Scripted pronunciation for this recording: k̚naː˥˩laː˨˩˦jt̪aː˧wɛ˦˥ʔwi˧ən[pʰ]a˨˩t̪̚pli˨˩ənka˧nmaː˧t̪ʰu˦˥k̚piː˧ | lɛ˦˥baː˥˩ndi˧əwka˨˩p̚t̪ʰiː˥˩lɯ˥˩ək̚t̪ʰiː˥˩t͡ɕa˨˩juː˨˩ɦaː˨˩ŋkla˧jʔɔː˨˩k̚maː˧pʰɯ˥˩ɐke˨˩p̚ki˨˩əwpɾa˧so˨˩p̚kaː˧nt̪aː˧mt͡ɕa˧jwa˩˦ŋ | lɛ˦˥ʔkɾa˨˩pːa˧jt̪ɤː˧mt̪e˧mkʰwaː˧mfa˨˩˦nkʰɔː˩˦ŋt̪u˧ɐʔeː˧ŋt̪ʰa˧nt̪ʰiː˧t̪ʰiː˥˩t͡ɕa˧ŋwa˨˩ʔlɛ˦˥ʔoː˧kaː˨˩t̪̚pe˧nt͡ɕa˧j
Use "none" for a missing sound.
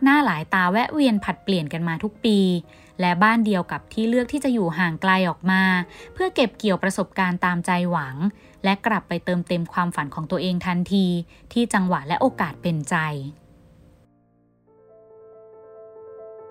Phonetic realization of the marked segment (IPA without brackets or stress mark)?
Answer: pʰ